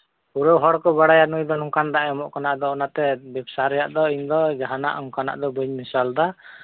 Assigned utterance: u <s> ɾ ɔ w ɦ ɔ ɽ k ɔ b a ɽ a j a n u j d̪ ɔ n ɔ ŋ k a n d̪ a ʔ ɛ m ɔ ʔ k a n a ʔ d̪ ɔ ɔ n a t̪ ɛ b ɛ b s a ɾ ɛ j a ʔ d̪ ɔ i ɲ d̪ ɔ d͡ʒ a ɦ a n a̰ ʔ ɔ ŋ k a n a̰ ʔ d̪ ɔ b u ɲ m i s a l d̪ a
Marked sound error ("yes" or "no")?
yes